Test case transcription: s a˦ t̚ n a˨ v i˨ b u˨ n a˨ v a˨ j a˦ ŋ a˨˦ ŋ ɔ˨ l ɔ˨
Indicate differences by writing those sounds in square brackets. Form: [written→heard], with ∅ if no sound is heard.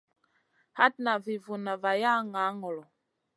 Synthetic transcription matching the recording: [s→h] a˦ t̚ n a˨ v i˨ [b→v] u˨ n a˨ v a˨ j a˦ ŋ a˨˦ ŋ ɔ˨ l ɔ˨